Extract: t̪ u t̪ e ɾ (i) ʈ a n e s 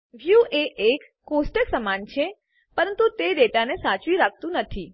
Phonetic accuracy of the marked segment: incorrect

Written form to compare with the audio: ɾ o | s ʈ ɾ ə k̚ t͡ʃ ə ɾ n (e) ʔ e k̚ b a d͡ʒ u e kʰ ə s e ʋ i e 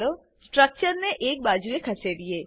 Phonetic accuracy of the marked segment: correct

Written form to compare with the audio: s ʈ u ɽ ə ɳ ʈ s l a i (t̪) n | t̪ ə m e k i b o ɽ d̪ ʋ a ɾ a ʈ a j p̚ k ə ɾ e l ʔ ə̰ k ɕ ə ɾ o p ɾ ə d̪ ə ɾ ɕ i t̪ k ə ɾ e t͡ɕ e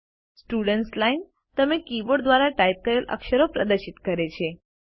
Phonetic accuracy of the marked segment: incorrect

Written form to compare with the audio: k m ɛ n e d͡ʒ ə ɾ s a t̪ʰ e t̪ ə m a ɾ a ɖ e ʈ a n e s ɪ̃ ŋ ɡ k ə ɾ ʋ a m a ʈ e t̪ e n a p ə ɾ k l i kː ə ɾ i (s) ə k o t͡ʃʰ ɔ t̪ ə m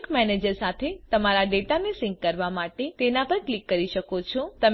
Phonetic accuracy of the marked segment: incorrect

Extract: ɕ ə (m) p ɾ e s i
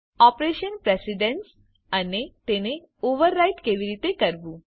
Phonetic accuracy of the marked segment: incorrect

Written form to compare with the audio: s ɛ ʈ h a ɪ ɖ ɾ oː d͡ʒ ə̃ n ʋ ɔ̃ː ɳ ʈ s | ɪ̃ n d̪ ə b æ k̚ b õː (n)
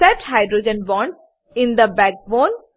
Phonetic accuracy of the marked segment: correct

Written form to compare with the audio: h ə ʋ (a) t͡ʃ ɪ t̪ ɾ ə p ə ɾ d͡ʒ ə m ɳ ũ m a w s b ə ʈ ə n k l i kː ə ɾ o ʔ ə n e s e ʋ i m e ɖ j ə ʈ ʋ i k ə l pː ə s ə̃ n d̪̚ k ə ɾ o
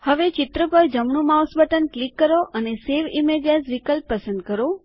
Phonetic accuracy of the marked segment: incorrect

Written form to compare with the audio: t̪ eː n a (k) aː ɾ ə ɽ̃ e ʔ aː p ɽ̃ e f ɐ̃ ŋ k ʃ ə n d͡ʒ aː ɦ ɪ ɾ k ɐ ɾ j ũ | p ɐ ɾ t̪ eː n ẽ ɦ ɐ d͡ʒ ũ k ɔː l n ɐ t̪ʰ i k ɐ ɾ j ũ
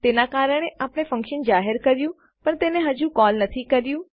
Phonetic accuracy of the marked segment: correct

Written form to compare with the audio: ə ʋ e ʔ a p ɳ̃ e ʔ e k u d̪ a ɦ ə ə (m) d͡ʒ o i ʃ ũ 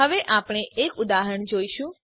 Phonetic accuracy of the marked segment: incorrect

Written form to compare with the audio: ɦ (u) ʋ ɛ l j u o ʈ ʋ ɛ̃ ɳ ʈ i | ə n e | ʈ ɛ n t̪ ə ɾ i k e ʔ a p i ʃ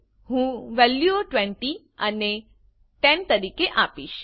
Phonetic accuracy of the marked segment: incorrect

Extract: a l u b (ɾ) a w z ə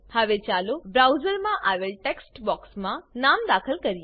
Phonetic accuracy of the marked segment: correct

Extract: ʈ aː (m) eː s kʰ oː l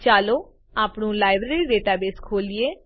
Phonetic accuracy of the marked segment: incorrect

